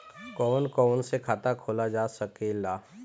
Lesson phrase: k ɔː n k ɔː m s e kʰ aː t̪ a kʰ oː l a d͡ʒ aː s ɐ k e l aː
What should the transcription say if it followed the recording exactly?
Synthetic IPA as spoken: k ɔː n k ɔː n s e kʰ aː t̪ a kʰ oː l a d͡ʒ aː s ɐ k e l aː